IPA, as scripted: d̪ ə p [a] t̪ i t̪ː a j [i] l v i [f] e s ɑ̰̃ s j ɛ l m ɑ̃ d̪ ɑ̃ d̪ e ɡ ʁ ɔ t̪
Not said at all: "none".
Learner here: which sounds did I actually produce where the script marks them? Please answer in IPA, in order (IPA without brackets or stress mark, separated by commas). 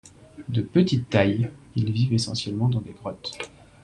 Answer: ə, i, v